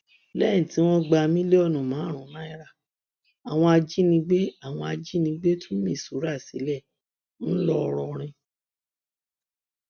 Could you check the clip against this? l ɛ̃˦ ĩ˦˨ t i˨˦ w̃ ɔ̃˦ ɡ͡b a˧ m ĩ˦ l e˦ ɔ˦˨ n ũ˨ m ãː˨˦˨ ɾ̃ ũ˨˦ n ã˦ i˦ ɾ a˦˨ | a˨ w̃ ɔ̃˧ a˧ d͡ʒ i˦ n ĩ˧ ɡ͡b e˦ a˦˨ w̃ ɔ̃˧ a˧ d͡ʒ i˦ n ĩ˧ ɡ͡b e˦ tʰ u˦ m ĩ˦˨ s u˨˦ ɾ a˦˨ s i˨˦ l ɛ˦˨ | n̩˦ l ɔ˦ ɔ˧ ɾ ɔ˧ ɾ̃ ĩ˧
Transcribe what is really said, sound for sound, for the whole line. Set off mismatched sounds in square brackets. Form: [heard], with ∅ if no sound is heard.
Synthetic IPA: l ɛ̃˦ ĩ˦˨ t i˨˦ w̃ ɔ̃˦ ɡ͡b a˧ m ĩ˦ l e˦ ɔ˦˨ n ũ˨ m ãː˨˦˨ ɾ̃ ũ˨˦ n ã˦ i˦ ɾ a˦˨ | a˨ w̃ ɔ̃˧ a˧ d͡ʒ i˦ n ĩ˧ ɡ͡b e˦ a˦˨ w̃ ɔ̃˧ a˧ d͡ʒ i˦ n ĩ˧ ɡ͡b e˦ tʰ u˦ m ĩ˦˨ s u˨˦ ɾ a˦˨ s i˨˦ l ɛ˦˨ | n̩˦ l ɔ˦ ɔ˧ ɾ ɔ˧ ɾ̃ ĩ˧